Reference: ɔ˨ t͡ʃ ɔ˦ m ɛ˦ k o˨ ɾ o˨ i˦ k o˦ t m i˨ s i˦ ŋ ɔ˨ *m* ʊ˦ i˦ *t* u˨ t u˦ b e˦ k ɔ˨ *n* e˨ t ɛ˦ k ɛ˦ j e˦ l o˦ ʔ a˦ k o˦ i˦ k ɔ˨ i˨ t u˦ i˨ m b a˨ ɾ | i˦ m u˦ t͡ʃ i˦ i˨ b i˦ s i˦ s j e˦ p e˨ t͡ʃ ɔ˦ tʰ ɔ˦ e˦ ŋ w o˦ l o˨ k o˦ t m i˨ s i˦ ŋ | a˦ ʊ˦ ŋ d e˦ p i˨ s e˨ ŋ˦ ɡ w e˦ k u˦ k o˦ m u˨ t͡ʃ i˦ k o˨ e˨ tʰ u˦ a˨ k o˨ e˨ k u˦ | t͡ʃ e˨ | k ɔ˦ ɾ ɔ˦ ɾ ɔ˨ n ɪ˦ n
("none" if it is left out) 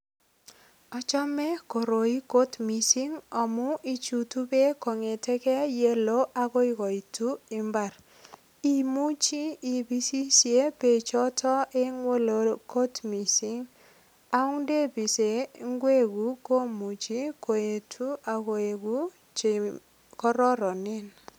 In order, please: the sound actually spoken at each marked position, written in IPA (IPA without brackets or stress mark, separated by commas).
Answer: m, t͡ʃ, ŋ